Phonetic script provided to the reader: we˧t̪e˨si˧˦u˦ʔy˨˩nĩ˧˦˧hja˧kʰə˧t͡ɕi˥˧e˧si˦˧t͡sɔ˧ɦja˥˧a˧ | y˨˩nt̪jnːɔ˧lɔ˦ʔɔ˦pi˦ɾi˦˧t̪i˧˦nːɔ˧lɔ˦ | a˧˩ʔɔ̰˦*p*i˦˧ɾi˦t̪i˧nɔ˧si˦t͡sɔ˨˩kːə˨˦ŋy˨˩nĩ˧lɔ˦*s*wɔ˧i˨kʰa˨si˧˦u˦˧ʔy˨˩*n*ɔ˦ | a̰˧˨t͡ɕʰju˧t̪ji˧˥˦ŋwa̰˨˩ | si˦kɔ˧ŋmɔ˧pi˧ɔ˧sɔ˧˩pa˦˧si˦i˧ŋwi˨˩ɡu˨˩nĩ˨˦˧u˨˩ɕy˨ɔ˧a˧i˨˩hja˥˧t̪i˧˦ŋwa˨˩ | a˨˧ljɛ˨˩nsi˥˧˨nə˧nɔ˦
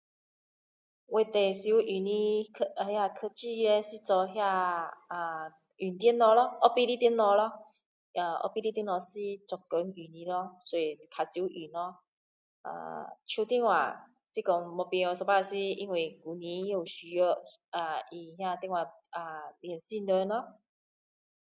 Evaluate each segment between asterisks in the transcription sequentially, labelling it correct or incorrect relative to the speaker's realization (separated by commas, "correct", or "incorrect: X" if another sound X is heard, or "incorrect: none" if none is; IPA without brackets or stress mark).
correct, correct, correct